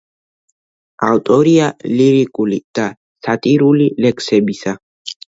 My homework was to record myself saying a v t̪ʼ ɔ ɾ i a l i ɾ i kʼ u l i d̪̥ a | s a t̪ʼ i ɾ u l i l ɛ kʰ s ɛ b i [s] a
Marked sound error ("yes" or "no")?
no